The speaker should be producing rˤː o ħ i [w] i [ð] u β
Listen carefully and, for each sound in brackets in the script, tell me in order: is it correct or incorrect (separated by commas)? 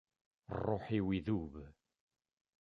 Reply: correct, correct